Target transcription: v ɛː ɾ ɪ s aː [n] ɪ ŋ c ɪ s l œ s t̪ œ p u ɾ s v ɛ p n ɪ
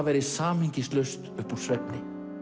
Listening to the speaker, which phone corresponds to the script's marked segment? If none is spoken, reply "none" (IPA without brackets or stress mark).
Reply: m